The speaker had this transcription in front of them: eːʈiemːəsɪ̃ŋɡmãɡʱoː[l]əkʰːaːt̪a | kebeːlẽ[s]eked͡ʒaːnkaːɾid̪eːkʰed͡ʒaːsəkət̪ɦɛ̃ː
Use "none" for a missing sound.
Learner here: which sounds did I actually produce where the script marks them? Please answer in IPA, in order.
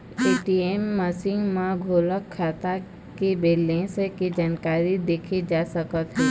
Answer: l, s

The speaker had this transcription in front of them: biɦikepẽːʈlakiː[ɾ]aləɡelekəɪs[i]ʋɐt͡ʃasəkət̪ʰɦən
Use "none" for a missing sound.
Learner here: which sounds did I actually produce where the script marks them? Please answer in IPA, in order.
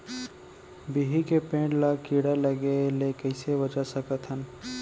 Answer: ɽ, e

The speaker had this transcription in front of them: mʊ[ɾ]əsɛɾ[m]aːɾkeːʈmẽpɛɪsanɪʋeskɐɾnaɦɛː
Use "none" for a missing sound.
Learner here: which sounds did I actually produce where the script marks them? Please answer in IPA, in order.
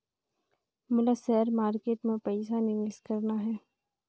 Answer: l, m

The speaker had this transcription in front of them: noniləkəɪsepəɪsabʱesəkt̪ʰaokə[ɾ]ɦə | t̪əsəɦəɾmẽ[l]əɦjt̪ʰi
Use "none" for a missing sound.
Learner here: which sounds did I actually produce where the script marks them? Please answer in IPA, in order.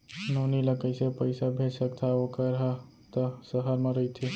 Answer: ɾ, ɾ

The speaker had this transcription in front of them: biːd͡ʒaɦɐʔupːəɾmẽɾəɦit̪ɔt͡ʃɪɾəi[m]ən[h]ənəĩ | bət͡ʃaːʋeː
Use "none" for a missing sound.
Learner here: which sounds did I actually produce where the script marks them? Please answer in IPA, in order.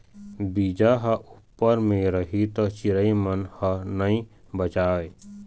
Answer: m, h

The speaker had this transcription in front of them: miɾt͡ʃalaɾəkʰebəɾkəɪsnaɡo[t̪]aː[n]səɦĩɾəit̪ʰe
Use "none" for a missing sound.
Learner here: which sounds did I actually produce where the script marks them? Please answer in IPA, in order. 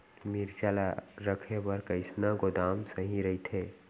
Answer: d̪, m

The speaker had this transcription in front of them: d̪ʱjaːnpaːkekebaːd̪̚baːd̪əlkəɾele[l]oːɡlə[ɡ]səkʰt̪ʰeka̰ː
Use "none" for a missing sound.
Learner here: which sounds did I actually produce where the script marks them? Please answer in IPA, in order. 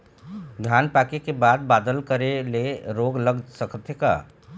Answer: ɾ, ɡ

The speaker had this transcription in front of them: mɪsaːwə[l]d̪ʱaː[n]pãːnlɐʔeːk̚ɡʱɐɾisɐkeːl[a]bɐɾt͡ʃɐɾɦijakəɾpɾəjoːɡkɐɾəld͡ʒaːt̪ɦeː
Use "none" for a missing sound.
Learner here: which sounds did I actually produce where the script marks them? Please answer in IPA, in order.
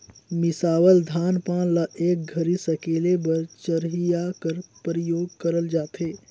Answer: l, n, e

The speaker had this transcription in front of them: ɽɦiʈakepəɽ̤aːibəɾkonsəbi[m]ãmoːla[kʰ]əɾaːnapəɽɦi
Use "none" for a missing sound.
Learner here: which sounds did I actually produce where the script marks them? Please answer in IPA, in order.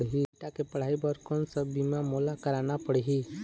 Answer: m, k

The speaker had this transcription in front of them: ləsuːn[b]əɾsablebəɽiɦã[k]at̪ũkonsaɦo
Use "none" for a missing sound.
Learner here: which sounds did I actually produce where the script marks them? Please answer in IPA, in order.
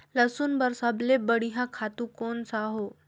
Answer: b, kʰ

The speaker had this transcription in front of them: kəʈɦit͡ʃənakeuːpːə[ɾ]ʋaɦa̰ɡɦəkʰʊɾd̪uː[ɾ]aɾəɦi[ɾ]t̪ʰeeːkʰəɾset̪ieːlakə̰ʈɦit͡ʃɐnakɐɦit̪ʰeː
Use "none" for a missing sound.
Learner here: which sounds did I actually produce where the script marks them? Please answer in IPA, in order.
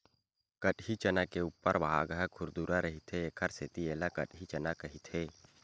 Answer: ɾ, ɾ, none

